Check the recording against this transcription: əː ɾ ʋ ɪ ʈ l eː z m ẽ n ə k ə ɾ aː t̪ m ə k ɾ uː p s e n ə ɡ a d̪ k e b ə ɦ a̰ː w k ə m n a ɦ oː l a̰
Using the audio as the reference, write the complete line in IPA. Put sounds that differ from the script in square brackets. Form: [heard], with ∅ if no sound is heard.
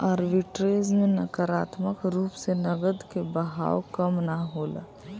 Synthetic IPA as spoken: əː ɾ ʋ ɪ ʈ [ɾ] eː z m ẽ n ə k ə ɾ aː t̪ m ə k ɾ uː p s e n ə ɡ [ə] d̪ k e b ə ɦ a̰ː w k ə m n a ɦ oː l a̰

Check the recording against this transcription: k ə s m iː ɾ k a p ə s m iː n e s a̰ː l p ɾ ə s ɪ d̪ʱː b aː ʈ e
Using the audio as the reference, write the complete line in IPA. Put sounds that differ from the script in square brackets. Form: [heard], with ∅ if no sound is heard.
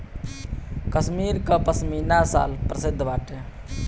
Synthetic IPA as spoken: k ə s m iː ɾ k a p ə s m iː n [a] s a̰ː l p ɾ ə s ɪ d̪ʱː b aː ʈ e

